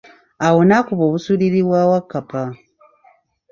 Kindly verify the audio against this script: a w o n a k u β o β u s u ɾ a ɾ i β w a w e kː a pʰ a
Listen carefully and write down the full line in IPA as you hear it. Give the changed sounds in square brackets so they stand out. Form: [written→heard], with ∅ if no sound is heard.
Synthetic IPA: a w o n a k u β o β u s u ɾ [a→i] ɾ i β w a w [e→a] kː a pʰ a